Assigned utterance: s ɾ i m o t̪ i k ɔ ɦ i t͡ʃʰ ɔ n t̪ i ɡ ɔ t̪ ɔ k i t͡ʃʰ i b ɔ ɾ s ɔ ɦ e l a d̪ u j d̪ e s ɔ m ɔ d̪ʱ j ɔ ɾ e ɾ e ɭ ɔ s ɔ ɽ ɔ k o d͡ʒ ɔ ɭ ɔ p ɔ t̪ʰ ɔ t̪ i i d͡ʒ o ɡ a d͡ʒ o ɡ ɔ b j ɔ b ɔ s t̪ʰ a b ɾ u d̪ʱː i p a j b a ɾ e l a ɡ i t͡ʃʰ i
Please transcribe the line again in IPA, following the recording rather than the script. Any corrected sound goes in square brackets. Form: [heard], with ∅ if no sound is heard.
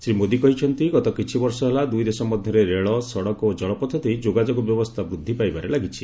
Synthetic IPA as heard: s ɾ i m o [d̪] i k ɔ ɦ i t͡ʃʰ ɔ n t̪ i ɡ ɔ t̪ ɔ k i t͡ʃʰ i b ɔ ɾ s ɔ ɦ e l a d̪ u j d̪ e s ɔ m ɔ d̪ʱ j ɔ ɾ e ɾ e ɭ ɔ s ɔ ɽ ɔ k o d͡ʒ ɔ ɭ ɔ p ɔ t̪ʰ ɔ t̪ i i d͡ʒ o ɡ a d͡ʒ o ɡ ɔ b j ɔ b ɔ s t̪ʰ a b ɾ u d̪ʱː i p a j b a ɾ e l a ɡ i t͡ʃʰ i

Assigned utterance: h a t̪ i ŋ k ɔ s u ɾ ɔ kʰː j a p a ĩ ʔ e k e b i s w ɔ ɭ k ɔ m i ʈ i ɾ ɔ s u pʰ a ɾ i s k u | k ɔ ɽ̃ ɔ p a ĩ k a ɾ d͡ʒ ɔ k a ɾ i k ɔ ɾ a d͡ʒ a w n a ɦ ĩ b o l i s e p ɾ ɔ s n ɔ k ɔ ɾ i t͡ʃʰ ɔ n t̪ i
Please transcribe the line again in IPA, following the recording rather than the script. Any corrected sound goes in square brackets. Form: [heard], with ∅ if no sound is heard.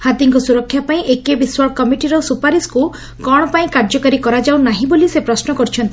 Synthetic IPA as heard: h a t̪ i ŋ k ɔ s u ɾ ɔ kʰː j a p a ĩ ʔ e k e b i s w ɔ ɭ k ɔ m i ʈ i ɾ ɔ s u [p] a ɾ i s k u | k ɔ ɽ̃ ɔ p a ĩ k a ɾ d͡ʒ ɔ k a ɾ i k ɔ ɾ a d͡ʒ a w n a ɦ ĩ b o l i s e p ɾ ɔ s n ɔ k ɔ ɾ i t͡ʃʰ ɔ n t̪ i

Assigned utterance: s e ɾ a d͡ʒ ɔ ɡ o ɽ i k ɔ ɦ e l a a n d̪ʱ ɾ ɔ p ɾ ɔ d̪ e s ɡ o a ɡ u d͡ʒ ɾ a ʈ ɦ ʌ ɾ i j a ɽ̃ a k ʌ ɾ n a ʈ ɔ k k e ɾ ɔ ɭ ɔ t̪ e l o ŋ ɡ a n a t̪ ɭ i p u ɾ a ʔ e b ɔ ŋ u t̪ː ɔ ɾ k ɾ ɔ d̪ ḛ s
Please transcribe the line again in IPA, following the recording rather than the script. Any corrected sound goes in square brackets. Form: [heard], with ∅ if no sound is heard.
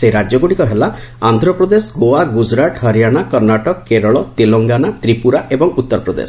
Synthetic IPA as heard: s e ɾ a d͡ʒ ɔ ɡ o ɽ i k ɔ ɦ e l a a n d̪ʱ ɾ ɔ p ɾ ɔ d̪ e s ɡ o a ɡ u d͡ʒ ɾ a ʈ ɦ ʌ ɾ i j a ɽ̃ a k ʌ ɾ n a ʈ ɔ k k e ɾ ɔ ɭ ɔ t̪ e l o ŋ ɡ a n a t̪ [ɾ] i p u ɾ a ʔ e b ɔ ŋ u t̪ː ɔ ɾ [p] ɾ ɔ d̪ ḛ s

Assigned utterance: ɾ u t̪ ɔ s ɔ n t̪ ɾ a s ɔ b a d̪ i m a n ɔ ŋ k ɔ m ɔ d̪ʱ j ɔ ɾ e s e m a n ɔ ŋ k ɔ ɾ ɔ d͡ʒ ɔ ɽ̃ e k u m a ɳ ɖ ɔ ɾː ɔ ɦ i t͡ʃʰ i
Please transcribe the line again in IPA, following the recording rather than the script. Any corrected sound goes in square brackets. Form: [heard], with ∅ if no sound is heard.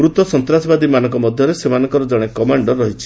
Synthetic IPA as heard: ɾ u t̪ ɔ s ɔ n t̪ ɾ a s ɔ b a d̪ i m a n ɔ ŋ k ɔ m ɔ d̪ʱ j ɔ ɾ e s e m a n ɔ ŋ k ɔ ɾ ɔ d͡ʒ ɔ ɽ̃ e k [ɔ] m a ɳ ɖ ɔ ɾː ɔ ɦ i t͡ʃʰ i

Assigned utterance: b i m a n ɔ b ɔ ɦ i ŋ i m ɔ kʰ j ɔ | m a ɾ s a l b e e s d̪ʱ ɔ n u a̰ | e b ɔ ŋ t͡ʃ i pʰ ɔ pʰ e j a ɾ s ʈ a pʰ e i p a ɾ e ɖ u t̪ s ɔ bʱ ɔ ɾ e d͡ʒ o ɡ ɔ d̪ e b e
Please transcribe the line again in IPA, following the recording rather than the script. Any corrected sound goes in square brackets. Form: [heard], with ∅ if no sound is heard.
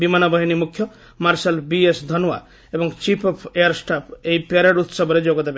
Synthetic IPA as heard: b i m a n ɔ b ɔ ɦ i [n] i m [u] kʰ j ɔ | m a ɾ s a l b [i] e s d̪ʱ ɔ n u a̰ | e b ɔ ŋ t͡ʃ i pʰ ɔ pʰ e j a ɾ s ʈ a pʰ e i p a ɾ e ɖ u t̪ s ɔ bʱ ɔ ɾ e d͡ʒ o ɡ ɔ d̪ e b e

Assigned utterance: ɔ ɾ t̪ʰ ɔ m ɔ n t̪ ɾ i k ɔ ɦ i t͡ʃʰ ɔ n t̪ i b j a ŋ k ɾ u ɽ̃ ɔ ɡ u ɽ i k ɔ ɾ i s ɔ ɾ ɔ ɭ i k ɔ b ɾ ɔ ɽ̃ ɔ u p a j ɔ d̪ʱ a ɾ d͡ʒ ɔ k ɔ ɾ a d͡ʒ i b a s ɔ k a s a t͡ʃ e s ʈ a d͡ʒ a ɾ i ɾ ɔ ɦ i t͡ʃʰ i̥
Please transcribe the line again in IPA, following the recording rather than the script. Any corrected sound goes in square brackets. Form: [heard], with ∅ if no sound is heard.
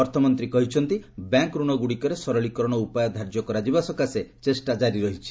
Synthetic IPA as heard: ɔ ɾ t̪ʰ ɔ m ɔ n t̪ ɾ i k ɔ ɦ i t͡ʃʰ ɔ n t̪ i b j a ŋ k ɾ u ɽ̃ ɔ ɡ u ɽ i k ɔ ɾ [e] s ɔ ɾ ɔ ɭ i k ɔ [∅] ɾ ɔ ɽ̃ ɔ u p a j ɔ d̪ʱ a ɾ d͡ʒ ɔ k ɔ ɾ a d͡ʒ i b a s ɔ k a s [e] t͡ʃ e s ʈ a d͡ʒ a ɾ i ɾ ɔ ɦ i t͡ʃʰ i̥

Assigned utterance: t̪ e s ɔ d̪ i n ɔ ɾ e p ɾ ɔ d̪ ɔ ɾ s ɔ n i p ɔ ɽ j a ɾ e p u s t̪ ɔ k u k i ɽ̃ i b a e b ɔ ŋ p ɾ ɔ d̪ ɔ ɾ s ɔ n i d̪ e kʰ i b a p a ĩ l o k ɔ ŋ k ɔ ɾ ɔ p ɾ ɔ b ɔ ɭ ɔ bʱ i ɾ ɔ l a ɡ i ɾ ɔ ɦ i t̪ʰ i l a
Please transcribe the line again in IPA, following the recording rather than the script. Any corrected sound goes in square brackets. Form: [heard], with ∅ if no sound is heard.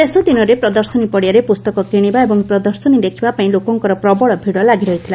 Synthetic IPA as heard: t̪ e s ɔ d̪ i n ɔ ɾ e p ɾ ɔ d̪ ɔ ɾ s ɔ n i p ɔ ɽ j a ɾ e p u s t̪ ɔ k [ɔ] k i ɽ̃ i b a e b ɔ ŋ p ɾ ɔ d̪ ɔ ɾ s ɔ n i d̪ e kʰ i b a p a ĩ l o k ɔ ŋ k ɔ ɾ ɔ p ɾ ɔ b ɔ ɭ ɔ bʱ i [ɽ] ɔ l a ɡ i ɾ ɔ ɦ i t̪ʰ i l a

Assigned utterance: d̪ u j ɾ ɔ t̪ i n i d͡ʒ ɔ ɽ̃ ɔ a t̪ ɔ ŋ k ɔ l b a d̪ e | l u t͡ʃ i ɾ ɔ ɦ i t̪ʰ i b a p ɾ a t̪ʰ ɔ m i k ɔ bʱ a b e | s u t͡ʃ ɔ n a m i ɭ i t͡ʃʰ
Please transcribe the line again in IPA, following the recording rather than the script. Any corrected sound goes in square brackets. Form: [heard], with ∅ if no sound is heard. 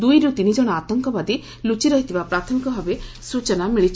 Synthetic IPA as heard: d̪ u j ɾ [u] t̪ i n i d͡ʒ ɔ ɽ̃ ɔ a t̪ ɔ ŋ k ɔ [∅] b a d̪ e | l u t͡ʃ i ɾ ɔ ɦ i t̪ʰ i b a p ɾ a t̪ʰ ɔ m i k ɔ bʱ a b e | s u t͡ʃ ɔ n a m i ɭ i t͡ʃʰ

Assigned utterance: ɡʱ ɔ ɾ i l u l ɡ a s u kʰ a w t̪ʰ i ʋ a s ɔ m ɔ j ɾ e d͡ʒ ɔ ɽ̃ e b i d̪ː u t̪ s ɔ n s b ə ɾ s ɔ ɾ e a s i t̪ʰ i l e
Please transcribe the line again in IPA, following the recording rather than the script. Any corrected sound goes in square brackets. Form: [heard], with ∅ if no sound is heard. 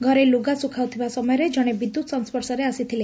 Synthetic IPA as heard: ɡʱ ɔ ɾ [e] l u [∅] ɡ a s u kʰ a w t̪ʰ i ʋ a s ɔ m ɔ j ɾ e d͡ʒ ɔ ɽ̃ e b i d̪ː u t̪ s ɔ n s [p] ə ɾ s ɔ ɾ e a s i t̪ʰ i l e

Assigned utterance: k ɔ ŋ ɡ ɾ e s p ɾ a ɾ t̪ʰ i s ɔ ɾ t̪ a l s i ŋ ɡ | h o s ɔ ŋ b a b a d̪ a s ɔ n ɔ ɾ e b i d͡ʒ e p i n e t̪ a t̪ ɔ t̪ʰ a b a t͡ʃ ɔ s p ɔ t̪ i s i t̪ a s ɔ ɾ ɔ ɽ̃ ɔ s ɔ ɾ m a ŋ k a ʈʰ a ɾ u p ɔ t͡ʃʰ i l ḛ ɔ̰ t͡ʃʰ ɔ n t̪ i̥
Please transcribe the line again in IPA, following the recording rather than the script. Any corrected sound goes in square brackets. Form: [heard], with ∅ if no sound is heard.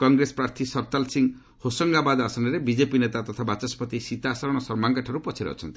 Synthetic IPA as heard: k ɔ ŋ ɡ ɾ e s p ɾ a ɾ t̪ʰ i s ɔ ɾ t̪ a l s i ŋ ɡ | h o s ɔ ŋ [ɡ] a b a d̪ a s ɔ n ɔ ɾ e b i d͡ʒ e p i n e t̪ a t̪ ɔ t̪ʰ a b a t͡ʃ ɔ s p ɔ t̪ i s i t̪ a s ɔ ɾ ɔ ɽ̃ ɔ s ɔ ɾ m a ŋ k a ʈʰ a ɾ u p ɔ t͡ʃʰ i [ɾ] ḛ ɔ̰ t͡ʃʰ ɔ n t̪ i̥

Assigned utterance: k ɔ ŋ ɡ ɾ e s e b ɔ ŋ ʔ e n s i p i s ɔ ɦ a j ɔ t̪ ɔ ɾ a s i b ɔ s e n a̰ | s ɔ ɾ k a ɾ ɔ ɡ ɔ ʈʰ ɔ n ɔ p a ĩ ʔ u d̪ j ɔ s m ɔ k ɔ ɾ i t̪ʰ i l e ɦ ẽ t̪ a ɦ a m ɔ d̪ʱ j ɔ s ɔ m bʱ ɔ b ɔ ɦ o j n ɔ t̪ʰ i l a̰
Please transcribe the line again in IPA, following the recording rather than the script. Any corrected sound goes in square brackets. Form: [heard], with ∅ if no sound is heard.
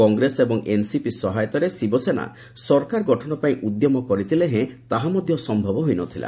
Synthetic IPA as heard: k ɔ ŋ ɡ ɾ e s e b ɔ ŋ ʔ e n s i p i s ɔ ɦ a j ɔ t̪ ɔ ɾ [e] s i b ɔ s e n a̰ | s ɔ ɾ k a ɾ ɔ ɡ ɔ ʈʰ ɔ n ɔ p a ĩ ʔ u d̪ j ɔ [∅] m ɔ k ɔ ɾ i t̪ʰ i l e ɦ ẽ t̪ a ɦ a m ɔ d̪ʱ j ɔ s ɔ m bʱ ɔ b ɔ ɦ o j n ɔ t̪ʰ i l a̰

